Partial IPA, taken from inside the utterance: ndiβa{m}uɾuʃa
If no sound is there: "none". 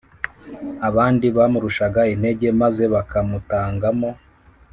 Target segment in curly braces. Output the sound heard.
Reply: m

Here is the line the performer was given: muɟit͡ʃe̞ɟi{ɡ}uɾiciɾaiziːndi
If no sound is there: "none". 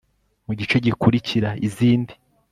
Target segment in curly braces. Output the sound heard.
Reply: k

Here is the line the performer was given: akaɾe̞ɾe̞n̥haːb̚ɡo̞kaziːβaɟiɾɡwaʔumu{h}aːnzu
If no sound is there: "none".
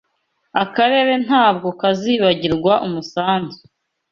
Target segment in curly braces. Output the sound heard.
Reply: s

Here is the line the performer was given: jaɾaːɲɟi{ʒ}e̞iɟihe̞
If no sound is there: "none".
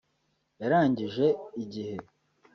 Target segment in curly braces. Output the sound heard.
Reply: ʒ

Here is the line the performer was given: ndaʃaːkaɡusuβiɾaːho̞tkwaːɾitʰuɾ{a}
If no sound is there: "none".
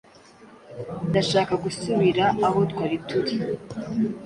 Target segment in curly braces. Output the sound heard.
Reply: i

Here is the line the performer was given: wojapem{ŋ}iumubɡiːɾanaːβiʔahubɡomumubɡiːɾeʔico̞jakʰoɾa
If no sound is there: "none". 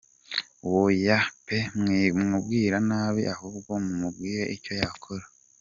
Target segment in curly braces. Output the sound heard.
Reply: ŋ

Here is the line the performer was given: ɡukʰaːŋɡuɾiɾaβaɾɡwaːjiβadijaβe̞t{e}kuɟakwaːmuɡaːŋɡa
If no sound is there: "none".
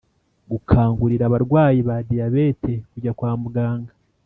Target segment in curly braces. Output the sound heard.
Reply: e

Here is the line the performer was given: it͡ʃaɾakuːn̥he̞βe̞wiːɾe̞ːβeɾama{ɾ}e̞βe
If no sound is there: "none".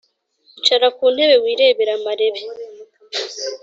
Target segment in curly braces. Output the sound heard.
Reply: ɾ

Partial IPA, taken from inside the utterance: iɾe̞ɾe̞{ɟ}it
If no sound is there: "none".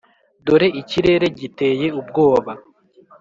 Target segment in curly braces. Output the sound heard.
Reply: ɟ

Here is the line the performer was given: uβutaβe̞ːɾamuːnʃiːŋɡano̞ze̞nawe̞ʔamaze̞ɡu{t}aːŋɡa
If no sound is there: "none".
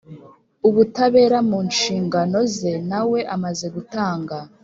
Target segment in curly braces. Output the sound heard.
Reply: t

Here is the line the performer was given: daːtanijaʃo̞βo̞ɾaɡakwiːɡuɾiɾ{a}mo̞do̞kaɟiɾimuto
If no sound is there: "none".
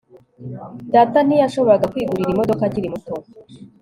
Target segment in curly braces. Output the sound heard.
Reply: i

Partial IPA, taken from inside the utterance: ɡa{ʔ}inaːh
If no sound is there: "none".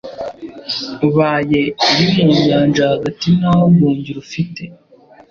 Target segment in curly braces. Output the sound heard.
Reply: t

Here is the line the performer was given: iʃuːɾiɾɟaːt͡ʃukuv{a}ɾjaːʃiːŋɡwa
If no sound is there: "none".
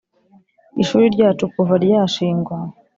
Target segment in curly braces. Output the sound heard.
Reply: a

